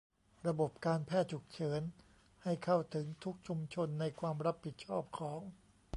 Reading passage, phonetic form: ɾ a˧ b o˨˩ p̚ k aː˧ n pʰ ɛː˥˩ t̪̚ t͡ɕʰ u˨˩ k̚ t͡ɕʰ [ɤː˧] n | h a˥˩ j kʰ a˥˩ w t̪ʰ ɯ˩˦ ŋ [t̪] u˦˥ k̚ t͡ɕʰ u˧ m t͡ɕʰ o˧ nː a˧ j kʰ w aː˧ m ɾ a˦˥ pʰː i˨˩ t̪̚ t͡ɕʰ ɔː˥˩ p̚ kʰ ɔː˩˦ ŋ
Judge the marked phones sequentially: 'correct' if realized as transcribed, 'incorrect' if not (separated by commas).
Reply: incorrect, incorrect